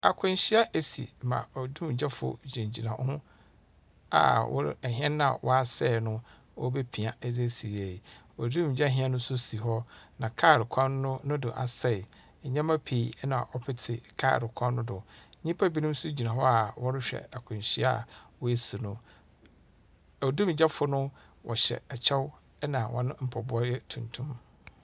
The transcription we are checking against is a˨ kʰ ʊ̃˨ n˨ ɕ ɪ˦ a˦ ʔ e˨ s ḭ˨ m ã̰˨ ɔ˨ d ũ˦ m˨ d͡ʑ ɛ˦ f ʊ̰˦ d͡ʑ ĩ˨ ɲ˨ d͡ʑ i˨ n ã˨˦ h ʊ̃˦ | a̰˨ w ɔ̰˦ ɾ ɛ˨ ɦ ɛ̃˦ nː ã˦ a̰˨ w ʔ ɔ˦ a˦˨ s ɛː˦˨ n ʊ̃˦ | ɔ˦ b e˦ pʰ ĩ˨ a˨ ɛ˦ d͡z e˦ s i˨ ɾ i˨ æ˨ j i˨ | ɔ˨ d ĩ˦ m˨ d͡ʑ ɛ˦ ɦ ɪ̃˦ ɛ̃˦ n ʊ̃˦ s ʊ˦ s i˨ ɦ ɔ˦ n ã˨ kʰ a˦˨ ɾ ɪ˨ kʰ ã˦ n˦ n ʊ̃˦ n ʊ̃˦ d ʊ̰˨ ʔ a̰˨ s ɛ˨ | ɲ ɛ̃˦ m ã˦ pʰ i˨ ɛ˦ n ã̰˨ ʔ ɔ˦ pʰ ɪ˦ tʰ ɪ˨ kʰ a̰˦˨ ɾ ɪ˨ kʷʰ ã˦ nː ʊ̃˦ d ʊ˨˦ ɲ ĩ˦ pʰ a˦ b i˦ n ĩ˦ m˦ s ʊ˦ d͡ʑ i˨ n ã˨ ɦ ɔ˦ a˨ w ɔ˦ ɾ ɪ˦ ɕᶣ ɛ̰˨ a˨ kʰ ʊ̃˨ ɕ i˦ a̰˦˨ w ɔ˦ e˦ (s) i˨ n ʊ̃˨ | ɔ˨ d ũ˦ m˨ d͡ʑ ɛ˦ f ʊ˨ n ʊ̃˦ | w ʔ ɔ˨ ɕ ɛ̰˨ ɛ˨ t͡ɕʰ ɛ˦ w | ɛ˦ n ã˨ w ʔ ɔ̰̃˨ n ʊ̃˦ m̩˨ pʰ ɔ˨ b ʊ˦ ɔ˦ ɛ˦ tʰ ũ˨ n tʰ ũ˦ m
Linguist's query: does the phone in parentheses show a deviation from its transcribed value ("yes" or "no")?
no